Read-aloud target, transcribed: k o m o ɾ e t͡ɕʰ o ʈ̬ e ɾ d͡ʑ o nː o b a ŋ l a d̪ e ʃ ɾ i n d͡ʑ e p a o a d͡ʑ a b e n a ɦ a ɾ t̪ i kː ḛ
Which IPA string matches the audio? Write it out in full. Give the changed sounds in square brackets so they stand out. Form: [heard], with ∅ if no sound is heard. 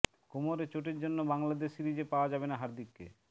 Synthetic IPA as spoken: k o m o ɾ e [t͡ɕ] o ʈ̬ e ɾ d͡ʑ o nː o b a ŋ l a d̪ e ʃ ɾ i [∅] d͡ʑ e p a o a d͡ʑ a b e n a ɦ a ɾ [d̪] i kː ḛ